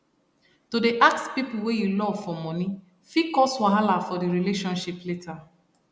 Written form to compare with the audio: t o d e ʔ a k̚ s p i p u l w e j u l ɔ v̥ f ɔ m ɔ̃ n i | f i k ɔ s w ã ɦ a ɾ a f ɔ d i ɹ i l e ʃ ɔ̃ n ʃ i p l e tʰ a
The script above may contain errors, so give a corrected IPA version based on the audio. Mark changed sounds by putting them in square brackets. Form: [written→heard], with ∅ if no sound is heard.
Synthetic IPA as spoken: t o d e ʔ a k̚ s p i p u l w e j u l ɔ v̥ f ɔ m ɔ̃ n i | f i k ɔ s w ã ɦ a [ɾ→l] a f ɔ d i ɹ i l e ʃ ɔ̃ n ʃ i p l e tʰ a